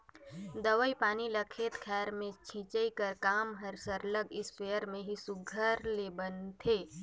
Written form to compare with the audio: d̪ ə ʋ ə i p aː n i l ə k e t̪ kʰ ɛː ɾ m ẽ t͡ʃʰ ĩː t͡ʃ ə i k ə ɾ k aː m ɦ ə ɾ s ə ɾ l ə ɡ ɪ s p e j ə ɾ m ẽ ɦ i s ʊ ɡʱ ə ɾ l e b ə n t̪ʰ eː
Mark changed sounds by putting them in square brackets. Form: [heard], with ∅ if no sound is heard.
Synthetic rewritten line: d̪ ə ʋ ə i p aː n i l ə [kʰ] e t̪ kʰ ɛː ɾ m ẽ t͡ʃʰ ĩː t͡ʃ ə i k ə ɾ k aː m ɦ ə ɾ s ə ɾ l ə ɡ ɪ s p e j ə ɾ m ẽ ɦ i s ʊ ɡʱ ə ɾ l e b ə n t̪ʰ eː